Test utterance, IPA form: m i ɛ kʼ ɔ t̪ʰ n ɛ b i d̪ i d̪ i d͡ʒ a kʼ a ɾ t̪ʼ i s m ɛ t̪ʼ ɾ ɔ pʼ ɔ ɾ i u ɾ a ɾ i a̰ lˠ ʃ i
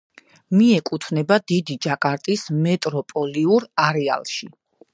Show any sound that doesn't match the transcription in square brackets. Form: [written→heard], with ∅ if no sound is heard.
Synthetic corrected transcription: m i ɛ kʼ [ɔ→u] t̪ʰ n ɛ b [i→a] d̪ i d̪ i d͡ʒ a kʼ a ɾ t̪ʼ i s m ɛ t̪ʼ ɾ ɔ pʼ ɔ [ɾ→l] i u ɾ a ɾ [i→ɛ] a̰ lˠ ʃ i